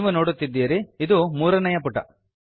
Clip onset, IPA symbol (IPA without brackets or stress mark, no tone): ʋ